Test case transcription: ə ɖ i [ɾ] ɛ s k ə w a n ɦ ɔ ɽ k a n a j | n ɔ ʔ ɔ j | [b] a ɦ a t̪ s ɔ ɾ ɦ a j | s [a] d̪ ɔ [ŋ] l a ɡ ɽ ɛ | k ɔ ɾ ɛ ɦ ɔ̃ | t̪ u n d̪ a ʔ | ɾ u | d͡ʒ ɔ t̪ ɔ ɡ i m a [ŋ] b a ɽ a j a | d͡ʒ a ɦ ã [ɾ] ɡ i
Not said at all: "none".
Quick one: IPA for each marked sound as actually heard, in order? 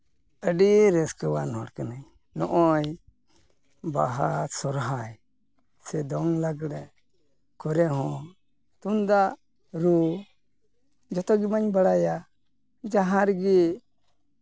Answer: ɾ, b, ɛ, ŋ, ɲ, ɾ

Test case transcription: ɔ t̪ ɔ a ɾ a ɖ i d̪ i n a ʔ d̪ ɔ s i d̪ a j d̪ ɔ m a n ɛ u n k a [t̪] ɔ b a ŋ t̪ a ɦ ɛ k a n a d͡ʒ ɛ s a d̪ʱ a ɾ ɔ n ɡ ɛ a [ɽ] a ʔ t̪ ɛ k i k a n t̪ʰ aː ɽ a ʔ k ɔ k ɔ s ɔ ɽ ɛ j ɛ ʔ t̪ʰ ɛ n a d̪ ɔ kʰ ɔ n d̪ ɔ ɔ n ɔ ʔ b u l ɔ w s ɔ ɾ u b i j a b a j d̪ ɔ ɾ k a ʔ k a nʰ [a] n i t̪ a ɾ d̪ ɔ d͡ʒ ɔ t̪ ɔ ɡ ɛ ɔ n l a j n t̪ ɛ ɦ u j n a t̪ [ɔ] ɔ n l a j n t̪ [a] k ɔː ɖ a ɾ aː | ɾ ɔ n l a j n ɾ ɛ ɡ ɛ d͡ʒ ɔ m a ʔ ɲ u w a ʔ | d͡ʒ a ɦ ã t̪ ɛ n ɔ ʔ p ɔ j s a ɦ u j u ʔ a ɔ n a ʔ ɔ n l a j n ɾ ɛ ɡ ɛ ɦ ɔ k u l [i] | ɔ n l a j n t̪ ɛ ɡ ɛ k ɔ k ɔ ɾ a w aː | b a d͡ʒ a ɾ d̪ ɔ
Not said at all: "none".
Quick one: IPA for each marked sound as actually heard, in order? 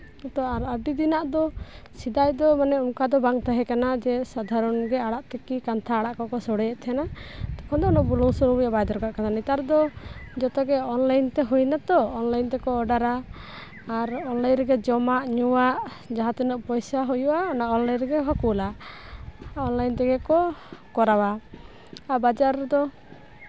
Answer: d̪, ɽ, a, ɔ, ɛ, a

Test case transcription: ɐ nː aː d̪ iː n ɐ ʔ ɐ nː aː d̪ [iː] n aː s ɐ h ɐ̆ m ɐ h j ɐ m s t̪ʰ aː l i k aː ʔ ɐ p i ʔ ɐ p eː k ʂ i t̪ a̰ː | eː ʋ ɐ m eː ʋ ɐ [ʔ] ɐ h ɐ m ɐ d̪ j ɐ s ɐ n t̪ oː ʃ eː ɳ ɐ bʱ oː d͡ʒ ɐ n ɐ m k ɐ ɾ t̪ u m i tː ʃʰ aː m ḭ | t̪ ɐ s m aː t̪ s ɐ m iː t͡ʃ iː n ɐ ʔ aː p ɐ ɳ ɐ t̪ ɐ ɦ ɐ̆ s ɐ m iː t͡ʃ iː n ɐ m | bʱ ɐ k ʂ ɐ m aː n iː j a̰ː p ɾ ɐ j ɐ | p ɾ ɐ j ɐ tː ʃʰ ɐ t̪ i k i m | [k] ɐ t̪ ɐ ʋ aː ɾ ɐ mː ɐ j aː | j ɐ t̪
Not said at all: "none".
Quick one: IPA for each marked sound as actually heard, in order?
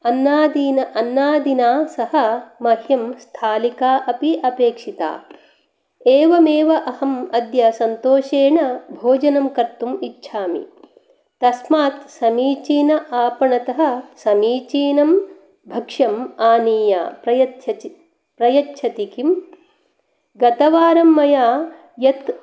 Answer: i, ʔ, ɡ

